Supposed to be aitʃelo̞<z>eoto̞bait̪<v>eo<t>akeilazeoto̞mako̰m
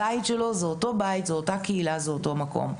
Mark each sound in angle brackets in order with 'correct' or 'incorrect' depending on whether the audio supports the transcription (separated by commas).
correct, incorrect, correct